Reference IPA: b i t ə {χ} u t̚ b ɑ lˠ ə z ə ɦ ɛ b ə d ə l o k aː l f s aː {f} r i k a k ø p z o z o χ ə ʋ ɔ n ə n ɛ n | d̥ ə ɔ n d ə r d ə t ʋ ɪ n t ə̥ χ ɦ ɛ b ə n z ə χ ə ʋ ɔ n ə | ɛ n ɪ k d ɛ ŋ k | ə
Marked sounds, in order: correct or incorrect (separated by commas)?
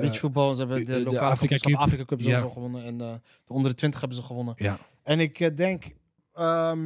incorrect, correct